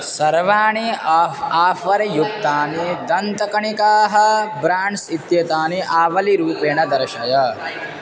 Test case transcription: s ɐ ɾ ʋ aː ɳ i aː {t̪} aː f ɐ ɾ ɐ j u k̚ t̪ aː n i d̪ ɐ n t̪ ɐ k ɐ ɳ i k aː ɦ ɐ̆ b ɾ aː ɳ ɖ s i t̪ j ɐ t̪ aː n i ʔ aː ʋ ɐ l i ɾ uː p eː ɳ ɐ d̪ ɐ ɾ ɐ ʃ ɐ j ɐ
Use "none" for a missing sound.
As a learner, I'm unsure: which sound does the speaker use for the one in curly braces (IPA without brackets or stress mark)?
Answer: none